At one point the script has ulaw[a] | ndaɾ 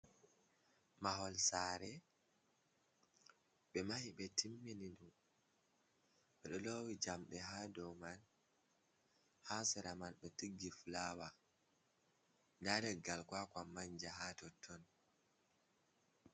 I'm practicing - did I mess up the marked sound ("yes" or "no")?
no